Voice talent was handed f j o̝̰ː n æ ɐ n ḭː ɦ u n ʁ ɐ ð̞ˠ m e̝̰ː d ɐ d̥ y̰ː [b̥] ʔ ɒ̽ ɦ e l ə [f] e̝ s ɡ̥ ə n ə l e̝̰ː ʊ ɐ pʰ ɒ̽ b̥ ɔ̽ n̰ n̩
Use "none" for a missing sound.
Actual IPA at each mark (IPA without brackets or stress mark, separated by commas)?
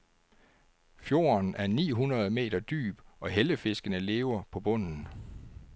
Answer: b̥, f